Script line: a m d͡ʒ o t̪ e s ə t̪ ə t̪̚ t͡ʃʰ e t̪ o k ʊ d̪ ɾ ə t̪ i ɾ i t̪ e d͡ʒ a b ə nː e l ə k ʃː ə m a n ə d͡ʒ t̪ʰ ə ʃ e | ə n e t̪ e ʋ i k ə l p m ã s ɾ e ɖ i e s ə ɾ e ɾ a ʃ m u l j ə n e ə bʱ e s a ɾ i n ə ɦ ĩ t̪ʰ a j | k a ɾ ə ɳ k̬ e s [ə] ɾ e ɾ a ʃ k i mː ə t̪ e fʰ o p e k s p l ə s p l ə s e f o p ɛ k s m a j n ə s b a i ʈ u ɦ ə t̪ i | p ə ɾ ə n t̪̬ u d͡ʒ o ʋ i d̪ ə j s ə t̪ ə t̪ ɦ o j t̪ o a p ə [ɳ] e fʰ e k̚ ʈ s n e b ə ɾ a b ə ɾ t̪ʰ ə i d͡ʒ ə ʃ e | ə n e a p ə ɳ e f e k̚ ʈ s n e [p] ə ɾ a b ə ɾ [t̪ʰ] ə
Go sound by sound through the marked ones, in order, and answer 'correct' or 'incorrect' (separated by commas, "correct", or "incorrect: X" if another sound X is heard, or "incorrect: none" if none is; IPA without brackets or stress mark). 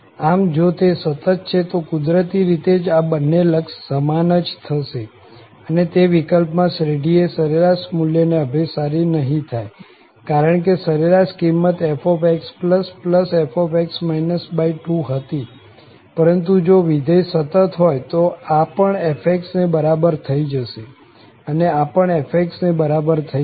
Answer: correct, correct, incorrect: b, correct